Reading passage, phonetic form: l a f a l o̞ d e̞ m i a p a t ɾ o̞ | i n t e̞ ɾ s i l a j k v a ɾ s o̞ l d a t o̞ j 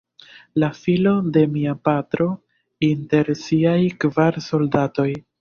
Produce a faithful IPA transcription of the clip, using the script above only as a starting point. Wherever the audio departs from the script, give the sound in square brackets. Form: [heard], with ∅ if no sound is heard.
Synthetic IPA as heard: l a f [i] l o̞ d e̞ m i a p a t ɾ o̞ | i n t e̞ ɾ s i [∅] a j k v a ɾ s o̞ l d a t o̞ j